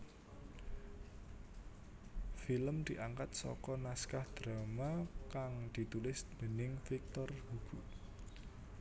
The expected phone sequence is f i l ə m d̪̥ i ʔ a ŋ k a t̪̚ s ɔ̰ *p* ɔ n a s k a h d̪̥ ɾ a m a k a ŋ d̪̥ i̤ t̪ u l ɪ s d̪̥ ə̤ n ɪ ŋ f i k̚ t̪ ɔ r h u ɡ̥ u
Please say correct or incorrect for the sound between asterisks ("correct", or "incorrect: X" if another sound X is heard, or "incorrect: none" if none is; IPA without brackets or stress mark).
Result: incorrect: k